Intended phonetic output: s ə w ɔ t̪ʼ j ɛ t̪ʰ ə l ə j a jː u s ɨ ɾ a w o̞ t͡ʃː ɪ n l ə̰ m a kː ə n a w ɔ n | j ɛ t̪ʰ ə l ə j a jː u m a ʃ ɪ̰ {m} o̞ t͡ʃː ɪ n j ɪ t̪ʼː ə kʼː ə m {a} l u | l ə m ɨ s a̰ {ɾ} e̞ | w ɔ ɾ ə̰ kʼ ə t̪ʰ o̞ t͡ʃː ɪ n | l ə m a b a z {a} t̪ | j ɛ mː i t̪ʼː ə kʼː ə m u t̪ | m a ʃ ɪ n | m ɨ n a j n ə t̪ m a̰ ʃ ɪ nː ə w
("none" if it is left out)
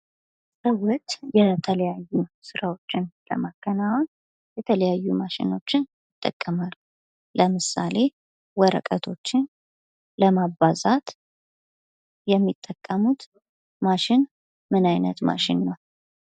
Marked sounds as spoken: n, a, l, a

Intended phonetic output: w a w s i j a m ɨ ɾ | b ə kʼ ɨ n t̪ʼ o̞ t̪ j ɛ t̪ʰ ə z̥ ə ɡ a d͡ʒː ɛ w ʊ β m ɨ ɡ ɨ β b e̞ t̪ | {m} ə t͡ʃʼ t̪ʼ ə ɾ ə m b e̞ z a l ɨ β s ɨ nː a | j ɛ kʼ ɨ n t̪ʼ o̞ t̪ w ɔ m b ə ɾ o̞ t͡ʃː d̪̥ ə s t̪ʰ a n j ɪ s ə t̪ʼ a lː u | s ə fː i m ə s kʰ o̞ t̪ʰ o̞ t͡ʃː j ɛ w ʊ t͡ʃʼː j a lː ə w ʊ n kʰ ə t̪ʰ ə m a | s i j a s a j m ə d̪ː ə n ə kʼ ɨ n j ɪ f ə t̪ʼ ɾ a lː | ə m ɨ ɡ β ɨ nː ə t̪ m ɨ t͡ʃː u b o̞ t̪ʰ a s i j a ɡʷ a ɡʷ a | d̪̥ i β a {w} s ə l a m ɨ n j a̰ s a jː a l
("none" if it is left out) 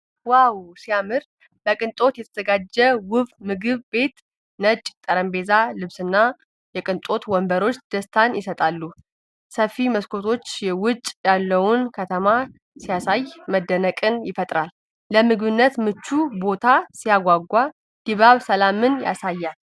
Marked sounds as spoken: n, β

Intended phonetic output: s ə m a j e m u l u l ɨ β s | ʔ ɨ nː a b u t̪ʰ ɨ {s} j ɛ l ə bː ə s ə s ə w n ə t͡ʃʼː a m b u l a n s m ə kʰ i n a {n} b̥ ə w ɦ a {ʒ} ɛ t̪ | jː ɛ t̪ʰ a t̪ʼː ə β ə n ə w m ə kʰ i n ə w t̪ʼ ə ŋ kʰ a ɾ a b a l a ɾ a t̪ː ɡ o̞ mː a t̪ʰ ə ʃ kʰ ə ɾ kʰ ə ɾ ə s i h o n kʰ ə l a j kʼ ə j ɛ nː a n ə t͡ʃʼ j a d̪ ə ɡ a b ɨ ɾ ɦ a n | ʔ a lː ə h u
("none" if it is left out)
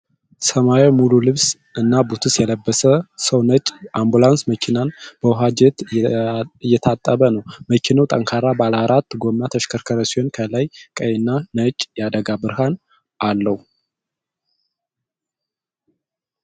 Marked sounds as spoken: s, n, d͡ʒ

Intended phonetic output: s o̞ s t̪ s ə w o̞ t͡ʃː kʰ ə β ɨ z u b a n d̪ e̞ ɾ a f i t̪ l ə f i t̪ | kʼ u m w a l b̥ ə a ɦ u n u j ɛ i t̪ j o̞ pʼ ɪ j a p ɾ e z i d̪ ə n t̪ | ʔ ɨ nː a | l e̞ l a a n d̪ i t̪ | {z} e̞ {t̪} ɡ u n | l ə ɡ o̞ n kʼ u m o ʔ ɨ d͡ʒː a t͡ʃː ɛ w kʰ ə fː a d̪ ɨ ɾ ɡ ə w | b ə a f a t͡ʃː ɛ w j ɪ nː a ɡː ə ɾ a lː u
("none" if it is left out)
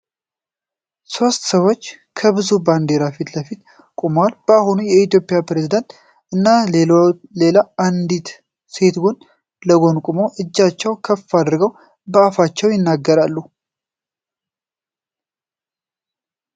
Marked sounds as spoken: s, t̪

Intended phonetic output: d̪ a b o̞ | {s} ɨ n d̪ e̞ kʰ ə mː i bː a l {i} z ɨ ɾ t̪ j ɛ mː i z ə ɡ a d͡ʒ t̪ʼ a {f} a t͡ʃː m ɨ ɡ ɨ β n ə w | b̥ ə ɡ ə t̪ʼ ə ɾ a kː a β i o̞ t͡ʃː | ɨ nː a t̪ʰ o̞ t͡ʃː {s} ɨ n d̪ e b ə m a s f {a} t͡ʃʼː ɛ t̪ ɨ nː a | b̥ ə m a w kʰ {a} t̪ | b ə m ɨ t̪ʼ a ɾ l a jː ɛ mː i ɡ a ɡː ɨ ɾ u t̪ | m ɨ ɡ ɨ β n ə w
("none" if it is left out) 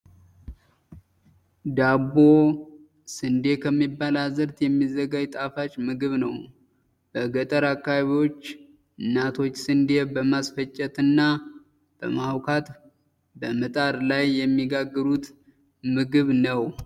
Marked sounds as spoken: s, a, f, s, ə, a

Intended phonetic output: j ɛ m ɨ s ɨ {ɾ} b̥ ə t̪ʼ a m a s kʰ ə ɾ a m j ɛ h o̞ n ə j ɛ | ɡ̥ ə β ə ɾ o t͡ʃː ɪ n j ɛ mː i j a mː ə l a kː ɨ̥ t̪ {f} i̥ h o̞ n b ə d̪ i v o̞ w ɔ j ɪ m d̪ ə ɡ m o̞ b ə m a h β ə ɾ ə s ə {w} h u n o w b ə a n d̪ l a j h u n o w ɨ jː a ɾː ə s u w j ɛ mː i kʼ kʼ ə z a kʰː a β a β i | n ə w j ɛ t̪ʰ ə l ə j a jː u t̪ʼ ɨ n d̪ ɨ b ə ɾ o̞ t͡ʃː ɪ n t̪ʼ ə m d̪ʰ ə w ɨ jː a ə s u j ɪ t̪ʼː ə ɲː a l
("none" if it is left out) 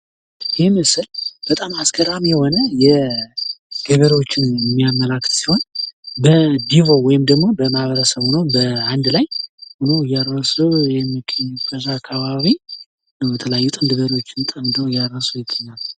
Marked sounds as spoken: l, s, β

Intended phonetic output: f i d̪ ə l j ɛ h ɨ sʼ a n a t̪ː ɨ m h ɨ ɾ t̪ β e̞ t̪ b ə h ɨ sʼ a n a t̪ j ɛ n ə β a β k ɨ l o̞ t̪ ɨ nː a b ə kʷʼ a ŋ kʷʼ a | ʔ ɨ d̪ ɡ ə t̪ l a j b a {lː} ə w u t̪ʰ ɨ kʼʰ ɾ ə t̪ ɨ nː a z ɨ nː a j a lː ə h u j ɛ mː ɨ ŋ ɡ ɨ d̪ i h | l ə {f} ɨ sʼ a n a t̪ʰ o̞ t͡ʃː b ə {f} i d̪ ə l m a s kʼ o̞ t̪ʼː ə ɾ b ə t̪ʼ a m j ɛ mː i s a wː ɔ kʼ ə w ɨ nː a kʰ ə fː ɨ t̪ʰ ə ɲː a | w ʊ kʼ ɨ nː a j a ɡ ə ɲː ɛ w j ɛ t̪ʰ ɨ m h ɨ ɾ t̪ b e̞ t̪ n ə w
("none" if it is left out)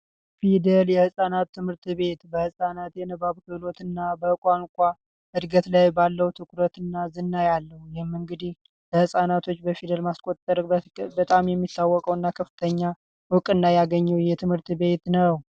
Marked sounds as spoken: lː, h, f

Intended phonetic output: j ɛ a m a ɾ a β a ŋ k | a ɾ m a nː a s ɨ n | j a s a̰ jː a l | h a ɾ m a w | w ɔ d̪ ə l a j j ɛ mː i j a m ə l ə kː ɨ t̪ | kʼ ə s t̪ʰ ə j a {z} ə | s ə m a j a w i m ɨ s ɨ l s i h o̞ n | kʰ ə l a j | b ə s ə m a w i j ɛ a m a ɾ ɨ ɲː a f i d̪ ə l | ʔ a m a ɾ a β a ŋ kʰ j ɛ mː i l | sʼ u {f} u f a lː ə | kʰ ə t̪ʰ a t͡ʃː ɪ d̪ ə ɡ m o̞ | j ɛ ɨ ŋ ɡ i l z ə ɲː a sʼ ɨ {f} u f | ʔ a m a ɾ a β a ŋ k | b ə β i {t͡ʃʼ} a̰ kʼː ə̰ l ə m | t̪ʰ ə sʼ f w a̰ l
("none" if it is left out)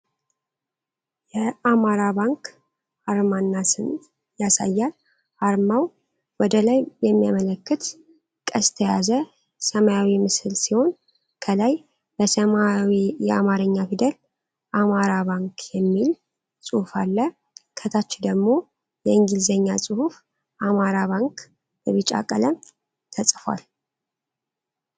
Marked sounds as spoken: z, h, h, t͡ʃʼ

